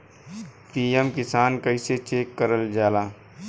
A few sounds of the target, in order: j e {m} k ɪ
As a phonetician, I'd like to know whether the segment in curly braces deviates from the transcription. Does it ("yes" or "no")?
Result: no